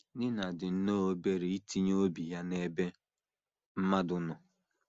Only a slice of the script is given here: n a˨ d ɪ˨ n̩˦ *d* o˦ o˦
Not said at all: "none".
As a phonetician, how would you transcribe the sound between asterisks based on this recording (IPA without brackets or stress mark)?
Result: n